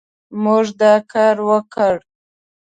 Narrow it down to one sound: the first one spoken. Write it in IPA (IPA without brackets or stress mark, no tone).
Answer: m